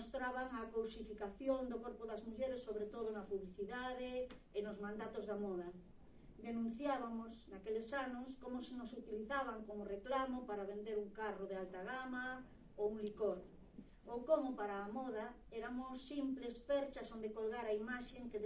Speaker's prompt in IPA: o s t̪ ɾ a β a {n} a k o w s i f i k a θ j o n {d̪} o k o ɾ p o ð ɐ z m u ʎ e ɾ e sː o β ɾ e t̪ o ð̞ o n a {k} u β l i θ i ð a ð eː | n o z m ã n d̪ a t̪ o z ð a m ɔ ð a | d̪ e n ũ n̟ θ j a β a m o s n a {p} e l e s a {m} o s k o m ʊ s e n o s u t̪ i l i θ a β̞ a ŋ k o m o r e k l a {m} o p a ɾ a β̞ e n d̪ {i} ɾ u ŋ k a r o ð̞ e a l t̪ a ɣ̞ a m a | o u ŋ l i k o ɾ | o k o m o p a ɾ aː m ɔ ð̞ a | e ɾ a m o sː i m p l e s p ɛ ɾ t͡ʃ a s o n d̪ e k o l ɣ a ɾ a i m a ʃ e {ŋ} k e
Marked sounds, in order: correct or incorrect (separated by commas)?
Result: incorrect, correct, incorrect, incorrect, incorrect, correct, incorrect, correct